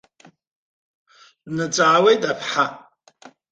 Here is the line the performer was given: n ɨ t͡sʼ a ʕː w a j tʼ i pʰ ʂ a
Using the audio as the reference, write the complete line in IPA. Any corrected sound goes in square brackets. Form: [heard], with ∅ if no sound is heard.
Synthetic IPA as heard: n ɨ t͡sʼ a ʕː w [e] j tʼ [a] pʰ [ħ] a